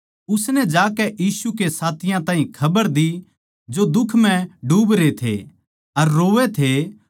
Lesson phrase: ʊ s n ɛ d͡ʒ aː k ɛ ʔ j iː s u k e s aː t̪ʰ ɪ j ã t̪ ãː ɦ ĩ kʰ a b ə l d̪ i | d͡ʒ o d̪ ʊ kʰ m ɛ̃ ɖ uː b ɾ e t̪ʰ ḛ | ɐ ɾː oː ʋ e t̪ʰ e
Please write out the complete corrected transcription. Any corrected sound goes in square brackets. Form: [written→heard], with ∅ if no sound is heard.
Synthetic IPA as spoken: ʊ s n ɛ d͡ʒ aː k ɛ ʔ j iː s u k e s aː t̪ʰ ɪ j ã t̪ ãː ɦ ĩ kʰ [a→ɐ] b ə [l→ɾ] d̪ i | d͡ʒ o d̪ ʊ kʰ m ɛ̃ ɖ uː b ɾ e t̪ʰ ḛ | ɐ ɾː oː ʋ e t̪ʰ e